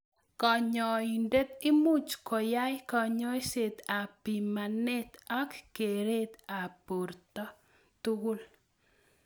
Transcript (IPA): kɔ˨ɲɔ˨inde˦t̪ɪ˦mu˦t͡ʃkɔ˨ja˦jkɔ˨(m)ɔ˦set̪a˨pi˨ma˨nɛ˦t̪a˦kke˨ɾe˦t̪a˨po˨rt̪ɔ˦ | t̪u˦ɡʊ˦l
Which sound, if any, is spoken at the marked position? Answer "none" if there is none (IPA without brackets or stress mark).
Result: ɲ